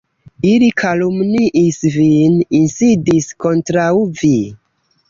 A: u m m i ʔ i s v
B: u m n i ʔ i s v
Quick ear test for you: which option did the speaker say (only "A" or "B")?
B